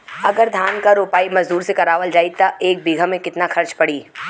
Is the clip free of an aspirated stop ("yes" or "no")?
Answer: yes